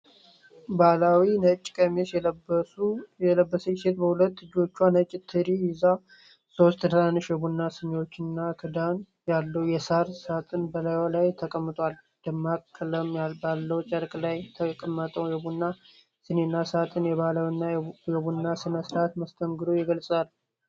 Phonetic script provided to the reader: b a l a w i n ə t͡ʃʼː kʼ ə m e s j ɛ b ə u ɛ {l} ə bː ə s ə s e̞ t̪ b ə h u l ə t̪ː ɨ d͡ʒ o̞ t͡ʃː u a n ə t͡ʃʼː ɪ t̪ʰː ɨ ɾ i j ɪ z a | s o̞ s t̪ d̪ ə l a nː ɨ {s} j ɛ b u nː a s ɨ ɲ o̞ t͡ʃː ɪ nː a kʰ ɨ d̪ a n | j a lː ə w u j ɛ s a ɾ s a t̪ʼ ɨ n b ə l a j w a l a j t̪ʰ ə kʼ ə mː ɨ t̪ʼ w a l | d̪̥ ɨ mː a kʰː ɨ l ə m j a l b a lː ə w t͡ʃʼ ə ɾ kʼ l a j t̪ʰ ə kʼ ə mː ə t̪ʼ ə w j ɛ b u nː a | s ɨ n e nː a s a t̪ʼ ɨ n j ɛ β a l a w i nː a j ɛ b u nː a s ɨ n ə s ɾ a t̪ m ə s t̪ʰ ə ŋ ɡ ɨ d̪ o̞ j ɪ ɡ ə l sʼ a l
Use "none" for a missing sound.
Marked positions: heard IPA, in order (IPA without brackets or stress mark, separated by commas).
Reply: l, ʃ